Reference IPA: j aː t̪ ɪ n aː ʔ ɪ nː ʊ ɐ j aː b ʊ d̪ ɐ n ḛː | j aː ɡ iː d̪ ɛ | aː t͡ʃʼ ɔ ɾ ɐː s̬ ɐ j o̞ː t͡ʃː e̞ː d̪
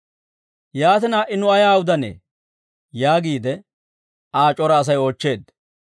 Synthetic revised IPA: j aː t̪ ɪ n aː ʔ ɪ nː ʊ ɐ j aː w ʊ d̪ ɐ n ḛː | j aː ɡ iː d̪ ɛ | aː t͡ʃʼ ɔ ɾ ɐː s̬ ɐ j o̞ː t͡ʃː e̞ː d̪